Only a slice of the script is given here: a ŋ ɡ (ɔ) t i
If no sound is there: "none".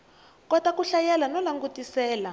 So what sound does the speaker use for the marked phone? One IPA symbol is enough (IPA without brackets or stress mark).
u